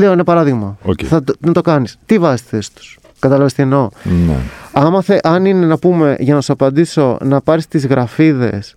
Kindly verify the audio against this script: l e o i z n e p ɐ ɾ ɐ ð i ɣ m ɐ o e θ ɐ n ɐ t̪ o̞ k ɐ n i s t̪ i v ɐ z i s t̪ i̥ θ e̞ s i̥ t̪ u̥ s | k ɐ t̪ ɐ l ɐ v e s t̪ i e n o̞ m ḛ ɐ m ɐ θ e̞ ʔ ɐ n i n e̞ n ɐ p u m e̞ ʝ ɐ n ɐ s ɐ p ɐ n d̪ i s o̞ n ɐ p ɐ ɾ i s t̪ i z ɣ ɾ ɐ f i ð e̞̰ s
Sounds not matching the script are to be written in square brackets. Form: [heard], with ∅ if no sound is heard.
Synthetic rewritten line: l e o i [∅] n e p ɐ ɾ ɐ ð i ɣ m ɐ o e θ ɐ n ɐ t̪ o̞ k ɐ n i s t̪ i v ɐ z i s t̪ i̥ θ e̞ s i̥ t̪ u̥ s | k ɐ t̪ ɐ l ɐ v e s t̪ i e n o̞ [n] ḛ ɐ m ɐ θ e̞ ʔ ɐ n i n e̞ n ɐ p u m e̞ ʝ ɐ n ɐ s ɐ p ɐ n d̪ i s o̞ n ɐ p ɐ ɾ i s t̪ i z ɣ ɾ ɐ f i ð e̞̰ s